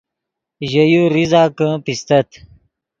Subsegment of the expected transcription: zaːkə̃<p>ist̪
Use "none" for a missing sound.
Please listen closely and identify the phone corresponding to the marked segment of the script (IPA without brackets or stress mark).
p